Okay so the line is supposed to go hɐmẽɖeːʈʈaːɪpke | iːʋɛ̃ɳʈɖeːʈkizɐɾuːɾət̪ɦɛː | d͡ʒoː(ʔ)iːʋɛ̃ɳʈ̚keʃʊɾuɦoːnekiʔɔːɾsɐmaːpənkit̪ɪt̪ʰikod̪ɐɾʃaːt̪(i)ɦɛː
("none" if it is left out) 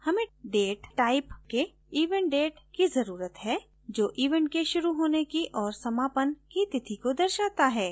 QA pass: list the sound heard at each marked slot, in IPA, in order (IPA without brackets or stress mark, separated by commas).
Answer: ʔ, a